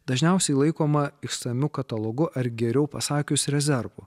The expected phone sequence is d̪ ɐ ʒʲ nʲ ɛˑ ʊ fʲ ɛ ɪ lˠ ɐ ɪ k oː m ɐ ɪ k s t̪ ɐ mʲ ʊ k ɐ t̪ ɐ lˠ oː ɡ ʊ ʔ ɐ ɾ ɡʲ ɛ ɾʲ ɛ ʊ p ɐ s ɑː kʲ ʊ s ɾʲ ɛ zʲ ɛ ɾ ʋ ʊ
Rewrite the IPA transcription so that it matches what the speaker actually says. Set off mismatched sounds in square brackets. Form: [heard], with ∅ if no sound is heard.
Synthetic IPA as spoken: d̪ ɐ ʒʲ nʲ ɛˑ ʊ [sʲ] ɛ ɪ lˠ ɐ ɪ k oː m ɐ ɪ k s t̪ ɐ mʲ ʊ k ɐ t̪ ɐ lˠ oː ɡ ʊ ʔ ɐ ɾ ɡʲ ɛ ɾʲ ɛ ʊ p ɐ s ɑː kʲ ʊ s ɾʲ ɛ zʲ ɛ ɾ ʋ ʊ